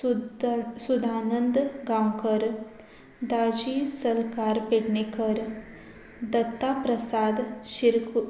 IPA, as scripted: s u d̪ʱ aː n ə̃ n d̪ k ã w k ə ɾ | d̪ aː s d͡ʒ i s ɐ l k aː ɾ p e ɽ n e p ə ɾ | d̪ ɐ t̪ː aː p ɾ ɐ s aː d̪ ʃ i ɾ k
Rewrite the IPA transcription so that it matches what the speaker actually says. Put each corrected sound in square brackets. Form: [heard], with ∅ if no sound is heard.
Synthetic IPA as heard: s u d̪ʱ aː n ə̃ n d̪ [ɡ] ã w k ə ɾ | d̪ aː [∅] d͡ʒ i s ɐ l k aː ɾ p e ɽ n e [k] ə ɾ | d̪ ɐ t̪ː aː p ɾ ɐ s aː d̪ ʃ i ɾ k